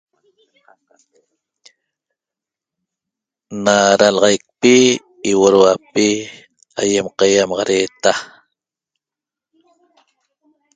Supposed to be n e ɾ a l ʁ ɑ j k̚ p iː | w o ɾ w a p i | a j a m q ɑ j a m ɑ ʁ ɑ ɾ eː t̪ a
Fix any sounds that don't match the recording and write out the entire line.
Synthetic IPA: n a ɾ a l ʁ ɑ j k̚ p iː | w o ɾ w a p i | a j e m q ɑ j a m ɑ ʁ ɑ ɾ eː t̪ a